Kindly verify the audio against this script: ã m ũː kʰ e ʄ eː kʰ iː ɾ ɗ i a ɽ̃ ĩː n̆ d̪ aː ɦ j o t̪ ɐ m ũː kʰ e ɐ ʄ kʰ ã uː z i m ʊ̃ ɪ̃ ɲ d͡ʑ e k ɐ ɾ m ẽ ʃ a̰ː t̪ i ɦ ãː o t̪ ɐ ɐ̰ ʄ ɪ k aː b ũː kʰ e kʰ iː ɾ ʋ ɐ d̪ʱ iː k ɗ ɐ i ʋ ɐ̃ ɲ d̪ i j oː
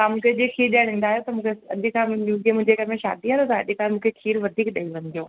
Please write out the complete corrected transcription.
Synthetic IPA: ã m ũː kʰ e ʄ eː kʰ iː ɾ ɗ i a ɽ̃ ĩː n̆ d̪ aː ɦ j o t̪ ɐ m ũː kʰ e ɐ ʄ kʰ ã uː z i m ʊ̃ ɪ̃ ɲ d͡ʑ e k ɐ ɾ m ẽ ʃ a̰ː d̪ i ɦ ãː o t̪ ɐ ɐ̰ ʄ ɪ k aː m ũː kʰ e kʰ iː ɾ ʋ ɐ d̪ʱ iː k ɗ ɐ i ʋ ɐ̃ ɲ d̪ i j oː